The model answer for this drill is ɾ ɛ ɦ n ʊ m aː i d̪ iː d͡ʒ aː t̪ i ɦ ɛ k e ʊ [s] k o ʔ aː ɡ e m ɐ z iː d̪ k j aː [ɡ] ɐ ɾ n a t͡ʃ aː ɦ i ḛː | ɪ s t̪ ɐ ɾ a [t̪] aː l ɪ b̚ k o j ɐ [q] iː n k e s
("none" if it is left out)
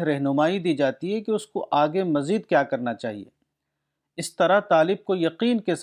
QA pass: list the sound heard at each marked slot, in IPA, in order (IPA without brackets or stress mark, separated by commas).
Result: s, k, t̪, q